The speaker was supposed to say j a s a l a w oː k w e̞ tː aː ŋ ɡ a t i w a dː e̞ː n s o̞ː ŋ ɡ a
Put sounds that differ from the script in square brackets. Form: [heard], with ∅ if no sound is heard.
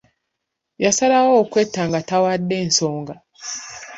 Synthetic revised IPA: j a s a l a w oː k w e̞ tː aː ŋ ɡ a t [a] w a dː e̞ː n s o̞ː ŋ ɡ a